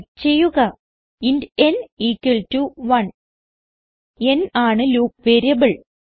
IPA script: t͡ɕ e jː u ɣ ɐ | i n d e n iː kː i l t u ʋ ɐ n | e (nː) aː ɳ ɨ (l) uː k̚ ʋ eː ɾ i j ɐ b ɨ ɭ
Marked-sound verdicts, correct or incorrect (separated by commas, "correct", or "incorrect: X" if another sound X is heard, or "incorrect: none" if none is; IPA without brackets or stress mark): incorrect: n, correct